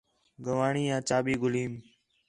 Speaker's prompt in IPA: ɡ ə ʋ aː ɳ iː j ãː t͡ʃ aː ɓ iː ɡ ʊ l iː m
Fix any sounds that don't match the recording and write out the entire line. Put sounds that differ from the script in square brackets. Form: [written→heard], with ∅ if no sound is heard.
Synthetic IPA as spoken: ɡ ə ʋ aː ɳ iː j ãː t͡ʃ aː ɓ iː ɡ ʊ l iː m